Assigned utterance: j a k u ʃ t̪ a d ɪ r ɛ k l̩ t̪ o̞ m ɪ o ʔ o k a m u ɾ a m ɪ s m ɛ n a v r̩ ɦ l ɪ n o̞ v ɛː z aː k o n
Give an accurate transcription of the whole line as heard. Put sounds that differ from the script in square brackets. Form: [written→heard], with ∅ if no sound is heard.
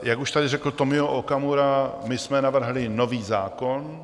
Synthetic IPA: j a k u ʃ t̪ a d ɪ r ɛ k l̩ t̪ o̞ m ɪ o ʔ o k a m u ɾ a m ɪ s m ɛ n a v r̩ ɦ l ɪ n o̞ v [ɛː→iː] z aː k o n